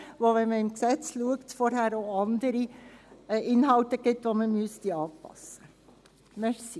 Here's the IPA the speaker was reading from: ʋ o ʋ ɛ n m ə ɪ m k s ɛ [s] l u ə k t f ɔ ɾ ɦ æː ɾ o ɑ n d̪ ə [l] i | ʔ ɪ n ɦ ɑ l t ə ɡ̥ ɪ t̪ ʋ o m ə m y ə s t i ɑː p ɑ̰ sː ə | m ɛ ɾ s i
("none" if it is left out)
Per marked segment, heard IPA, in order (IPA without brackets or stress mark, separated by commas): t͡s, ɾ